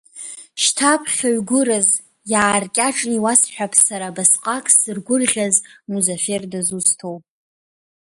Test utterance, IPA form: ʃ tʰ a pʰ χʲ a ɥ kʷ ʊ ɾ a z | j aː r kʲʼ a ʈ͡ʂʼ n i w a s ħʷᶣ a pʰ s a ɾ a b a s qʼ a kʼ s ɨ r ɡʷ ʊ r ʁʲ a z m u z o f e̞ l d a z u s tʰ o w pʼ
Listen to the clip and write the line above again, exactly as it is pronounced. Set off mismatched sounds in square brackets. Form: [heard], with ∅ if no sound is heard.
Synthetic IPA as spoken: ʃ tʰ a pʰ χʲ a ɥ [ɡʷ] ʊ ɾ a z | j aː r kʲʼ a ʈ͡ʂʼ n i w a s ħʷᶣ a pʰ s a ɾ a b a s qʼ a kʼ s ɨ r ɡʷ ʊ r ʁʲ a z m u z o f e̞ [r] d a z u s tʰ o w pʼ